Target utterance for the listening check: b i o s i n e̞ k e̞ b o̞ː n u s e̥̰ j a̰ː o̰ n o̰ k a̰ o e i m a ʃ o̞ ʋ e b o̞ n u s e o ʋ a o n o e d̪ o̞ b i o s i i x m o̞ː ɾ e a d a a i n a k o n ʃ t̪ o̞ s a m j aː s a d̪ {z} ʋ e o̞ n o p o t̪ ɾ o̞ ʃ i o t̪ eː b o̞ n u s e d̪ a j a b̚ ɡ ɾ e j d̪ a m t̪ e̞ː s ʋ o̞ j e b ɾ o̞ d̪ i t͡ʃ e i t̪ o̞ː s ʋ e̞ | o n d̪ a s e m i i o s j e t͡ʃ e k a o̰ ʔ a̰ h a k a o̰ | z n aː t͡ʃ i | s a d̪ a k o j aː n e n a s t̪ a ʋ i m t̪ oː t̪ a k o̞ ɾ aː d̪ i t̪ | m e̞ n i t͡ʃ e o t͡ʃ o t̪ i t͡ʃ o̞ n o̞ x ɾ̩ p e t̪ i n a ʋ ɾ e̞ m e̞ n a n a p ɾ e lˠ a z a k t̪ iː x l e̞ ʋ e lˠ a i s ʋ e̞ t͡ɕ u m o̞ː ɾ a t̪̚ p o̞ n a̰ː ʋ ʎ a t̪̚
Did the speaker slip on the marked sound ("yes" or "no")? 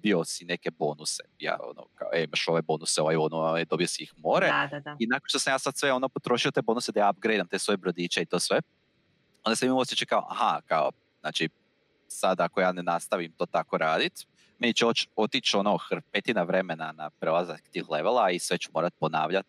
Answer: yes